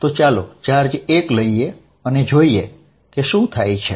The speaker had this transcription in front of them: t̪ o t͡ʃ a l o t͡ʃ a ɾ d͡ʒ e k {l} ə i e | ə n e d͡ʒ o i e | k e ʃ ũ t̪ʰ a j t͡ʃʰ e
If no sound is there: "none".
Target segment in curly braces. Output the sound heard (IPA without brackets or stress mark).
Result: l